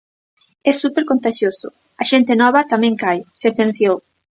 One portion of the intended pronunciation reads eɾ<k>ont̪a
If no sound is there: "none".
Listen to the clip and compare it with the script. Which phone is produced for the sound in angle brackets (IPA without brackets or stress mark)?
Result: k